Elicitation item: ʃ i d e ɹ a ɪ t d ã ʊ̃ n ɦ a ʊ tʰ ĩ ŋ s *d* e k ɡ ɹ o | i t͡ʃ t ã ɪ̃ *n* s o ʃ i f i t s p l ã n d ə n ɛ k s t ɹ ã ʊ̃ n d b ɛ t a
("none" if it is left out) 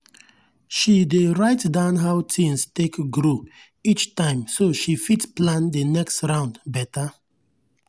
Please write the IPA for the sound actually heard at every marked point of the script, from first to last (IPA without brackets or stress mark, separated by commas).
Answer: t, m